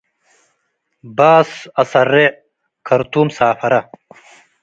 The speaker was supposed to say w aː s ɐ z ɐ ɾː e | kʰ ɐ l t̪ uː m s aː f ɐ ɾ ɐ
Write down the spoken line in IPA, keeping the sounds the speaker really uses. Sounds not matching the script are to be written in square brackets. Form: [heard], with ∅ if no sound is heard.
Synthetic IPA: [b] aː s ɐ [s] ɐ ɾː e | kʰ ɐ [ɾ] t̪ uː m s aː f ɐ ɾ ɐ